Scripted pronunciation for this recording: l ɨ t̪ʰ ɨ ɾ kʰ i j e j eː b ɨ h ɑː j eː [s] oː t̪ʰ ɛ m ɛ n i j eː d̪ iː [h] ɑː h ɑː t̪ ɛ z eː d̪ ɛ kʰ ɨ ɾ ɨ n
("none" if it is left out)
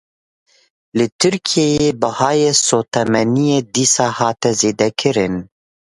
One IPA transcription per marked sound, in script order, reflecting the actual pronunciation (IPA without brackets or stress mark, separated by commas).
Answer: s, s